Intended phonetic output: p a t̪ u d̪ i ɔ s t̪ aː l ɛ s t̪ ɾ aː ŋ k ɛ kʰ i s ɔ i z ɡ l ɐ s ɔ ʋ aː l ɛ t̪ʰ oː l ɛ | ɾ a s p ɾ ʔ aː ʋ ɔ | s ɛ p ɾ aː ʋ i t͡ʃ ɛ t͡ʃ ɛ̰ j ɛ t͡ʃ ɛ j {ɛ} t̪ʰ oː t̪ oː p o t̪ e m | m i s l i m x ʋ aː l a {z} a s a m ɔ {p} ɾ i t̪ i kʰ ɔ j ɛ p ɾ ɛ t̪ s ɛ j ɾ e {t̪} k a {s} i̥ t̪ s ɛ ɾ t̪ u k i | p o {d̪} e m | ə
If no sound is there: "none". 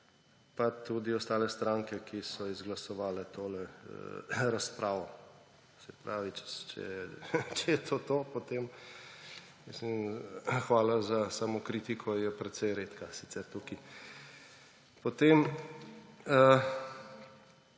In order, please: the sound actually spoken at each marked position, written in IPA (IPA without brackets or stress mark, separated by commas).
ɛ, z, k, t̪, s, t̪